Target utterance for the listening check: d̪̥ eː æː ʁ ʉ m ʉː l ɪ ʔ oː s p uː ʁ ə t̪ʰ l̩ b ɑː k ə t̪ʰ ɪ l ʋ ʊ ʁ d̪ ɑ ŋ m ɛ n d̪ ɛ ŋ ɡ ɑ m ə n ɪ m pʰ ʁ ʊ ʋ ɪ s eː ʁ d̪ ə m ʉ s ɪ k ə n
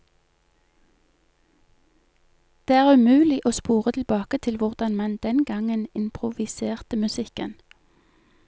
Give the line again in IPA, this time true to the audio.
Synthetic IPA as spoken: d̪̥ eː æː ʁ ʉ m ʉː l ɪ ʔ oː s p uː ʁ ə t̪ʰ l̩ b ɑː k ə t̪ʰ ɪ l ʋ ʊ ʁ d̪ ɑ n m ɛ n d̪ ɛ n ɡ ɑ ŋ ə n ɪ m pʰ ʁ ʊ ʋ ɪ s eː ʁ t̪ ə m ʉ s ɪ k ə n